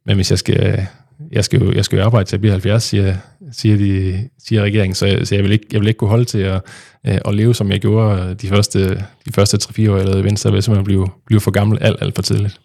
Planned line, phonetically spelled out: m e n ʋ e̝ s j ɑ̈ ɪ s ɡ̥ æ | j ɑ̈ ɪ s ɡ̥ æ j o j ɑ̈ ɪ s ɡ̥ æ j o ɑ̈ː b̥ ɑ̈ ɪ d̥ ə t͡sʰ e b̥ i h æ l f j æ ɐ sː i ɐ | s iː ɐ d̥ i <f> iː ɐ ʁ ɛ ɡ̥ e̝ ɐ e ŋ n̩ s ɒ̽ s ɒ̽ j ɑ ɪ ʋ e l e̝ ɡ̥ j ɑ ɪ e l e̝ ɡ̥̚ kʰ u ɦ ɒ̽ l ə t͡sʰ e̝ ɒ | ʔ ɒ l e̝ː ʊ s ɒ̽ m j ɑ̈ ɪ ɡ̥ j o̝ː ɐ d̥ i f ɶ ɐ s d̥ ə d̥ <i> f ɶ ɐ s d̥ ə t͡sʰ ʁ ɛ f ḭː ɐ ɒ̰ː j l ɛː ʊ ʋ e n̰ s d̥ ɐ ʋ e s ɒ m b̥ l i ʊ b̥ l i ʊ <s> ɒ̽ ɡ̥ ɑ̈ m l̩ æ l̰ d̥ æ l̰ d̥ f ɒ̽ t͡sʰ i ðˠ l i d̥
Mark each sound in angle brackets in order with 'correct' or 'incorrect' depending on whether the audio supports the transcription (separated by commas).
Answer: incorrect, correct, incorrect